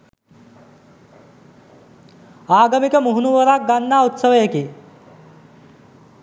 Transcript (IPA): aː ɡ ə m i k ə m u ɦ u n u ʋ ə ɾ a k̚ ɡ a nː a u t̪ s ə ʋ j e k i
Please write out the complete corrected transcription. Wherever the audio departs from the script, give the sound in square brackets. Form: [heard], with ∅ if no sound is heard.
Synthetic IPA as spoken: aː ɡ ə m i k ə m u ɦ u n u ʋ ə ɾ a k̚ ɡ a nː a u t̪ s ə ʋ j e k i